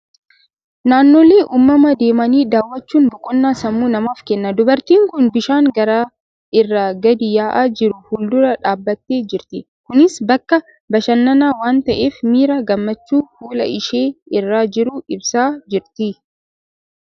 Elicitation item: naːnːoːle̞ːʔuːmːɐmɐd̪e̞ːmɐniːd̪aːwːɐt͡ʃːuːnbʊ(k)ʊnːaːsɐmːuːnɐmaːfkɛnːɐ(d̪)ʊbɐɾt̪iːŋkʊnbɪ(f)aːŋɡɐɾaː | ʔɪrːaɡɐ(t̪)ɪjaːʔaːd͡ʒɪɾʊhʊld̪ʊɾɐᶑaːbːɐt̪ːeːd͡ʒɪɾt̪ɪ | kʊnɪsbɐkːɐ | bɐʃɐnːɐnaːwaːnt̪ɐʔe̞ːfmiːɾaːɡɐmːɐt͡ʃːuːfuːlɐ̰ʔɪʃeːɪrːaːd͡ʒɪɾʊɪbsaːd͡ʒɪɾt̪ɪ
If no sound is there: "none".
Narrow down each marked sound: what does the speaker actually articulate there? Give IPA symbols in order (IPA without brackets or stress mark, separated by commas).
kʼ, d̪, ʃ, d̪